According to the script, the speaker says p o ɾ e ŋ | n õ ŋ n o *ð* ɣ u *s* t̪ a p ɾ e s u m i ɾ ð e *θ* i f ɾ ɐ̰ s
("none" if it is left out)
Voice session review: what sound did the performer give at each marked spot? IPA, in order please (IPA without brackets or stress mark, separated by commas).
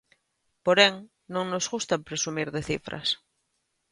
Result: z, s, θ